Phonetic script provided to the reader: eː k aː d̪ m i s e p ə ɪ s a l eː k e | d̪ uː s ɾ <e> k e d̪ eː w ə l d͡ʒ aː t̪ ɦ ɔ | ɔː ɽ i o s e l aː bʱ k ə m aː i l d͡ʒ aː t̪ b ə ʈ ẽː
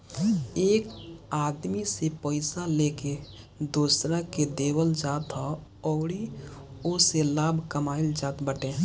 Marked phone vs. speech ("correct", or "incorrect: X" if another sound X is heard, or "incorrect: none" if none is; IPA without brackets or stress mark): incorrect: a